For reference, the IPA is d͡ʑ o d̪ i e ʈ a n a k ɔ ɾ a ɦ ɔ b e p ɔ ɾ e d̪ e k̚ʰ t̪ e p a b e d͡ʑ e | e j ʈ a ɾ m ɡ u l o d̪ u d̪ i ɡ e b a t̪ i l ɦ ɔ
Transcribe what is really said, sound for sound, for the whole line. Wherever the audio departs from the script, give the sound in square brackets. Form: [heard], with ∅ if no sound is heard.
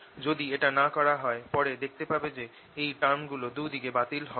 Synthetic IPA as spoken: d͡ʑ o d̪ i e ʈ a n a k ɔ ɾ a ɦ ɔ [∅] e p ɔ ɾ e d̪ e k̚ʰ t̪ e p a b e d͡ʑ e | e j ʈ a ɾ m ɡ u l o d̪ u d̪ i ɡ e b a t̪ i l ɦ ɔ